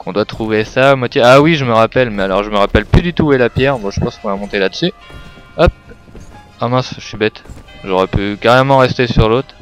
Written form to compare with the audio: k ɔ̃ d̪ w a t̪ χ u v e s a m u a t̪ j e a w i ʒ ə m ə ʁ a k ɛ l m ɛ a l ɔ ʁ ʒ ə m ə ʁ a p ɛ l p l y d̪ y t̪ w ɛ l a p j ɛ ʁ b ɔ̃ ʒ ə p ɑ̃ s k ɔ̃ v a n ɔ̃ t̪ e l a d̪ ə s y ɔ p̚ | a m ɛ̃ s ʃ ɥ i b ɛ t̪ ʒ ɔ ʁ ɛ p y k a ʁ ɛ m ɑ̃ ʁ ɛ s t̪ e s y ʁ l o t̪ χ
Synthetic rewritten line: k ɔ̃ d̪ w a t̪ χ u v e s a m w a t̪ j e a w i ʒ ə m ə ʁ a p ɛ l m ɛ a l ɔ ʁ ʒ ə m ə ʁ a p ɛ l p l y d̪ y t̪ u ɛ l a p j ɛ ʁ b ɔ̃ ʒ ə p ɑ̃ s k ɔ̃ v a m ɔ̃ t̪ e l a d̪ ə s y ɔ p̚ | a m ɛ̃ s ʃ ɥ i b ɛ t̪ ʒ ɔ ʁ ɛ p y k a ʁ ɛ m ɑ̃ ʁ ɛ s t̪ e s y ʁ l o t̪ χ